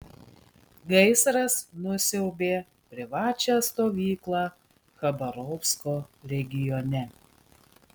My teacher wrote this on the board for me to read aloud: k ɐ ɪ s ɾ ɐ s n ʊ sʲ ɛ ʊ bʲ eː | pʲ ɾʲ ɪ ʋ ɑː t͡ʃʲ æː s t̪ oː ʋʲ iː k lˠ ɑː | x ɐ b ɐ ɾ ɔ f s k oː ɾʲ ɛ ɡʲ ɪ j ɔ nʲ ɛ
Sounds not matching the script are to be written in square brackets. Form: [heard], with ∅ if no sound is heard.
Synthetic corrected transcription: [ɡ] ɐ ɪ s ɾ ɐ s n ʊ sʲ ɛ ʊ bʲ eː | pʲ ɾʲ ɪ ʋ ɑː t͡ʃʲ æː s t̪ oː ʋʲ iː k lˠ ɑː | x ɐ b ɐ ɾ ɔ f s k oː ɾʲ ɛ ɡʲ ɪ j ɔ nʲ ɛ